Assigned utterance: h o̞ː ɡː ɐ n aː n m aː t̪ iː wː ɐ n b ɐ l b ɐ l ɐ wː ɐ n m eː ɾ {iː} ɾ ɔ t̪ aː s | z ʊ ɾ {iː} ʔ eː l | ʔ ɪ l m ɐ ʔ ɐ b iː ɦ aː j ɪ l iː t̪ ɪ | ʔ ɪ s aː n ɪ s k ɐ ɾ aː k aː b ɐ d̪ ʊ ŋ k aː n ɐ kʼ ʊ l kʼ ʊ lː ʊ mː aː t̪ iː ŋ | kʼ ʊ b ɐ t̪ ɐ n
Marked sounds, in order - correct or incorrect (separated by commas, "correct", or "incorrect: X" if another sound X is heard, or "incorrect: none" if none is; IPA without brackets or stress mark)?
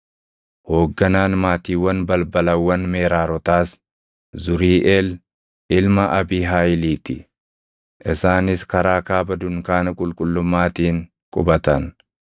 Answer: incorrect: aː, correct